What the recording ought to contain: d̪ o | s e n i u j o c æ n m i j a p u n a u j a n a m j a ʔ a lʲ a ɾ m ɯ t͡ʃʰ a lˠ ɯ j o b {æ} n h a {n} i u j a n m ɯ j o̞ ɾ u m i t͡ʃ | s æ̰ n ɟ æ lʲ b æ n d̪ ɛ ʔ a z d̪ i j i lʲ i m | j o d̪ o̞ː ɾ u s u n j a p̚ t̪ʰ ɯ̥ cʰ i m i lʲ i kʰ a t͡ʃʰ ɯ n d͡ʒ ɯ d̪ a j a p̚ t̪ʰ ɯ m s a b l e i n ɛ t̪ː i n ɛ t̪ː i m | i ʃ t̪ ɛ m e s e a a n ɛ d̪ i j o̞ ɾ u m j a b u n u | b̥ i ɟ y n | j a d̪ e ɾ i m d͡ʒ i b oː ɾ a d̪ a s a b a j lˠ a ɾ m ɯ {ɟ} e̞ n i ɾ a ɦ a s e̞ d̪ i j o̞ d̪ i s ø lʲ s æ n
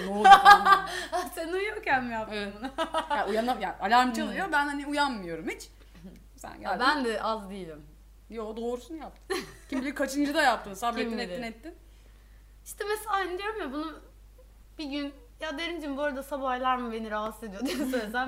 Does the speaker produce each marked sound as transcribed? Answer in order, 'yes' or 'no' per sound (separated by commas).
yes, yes, no